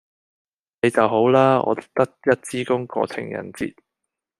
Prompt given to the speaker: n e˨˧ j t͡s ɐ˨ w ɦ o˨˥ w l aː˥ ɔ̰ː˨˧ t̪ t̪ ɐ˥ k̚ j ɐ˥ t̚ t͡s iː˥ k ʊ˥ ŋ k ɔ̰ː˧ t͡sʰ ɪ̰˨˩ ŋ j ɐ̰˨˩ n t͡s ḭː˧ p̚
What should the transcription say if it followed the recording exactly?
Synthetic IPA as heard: n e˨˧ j t͡s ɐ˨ w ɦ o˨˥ w l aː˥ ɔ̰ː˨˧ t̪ t̪ ɐ˥ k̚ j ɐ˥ t̚ t͡s iː˥ k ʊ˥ ŋ k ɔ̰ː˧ t͡sʰ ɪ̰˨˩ ŋ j ɐ̰˨˩ n t͡s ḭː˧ t̚